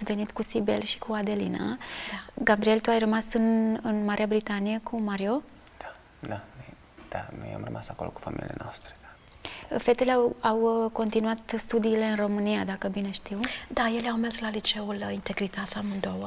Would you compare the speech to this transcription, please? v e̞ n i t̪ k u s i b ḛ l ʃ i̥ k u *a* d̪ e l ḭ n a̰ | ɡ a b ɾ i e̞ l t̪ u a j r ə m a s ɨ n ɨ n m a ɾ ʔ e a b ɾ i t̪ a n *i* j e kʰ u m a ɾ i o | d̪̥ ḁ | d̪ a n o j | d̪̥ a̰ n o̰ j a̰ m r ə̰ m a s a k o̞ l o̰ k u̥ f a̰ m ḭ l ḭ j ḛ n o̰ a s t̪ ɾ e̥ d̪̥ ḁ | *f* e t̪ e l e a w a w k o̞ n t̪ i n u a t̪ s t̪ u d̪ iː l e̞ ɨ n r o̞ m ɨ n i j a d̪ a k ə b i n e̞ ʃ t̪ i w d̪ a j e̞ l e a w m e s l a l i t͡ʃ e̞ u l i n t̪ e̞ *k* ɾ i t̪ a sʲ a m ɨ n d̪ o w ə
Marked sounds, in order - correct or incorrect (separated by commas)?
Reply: correct, correct, correct, incorrect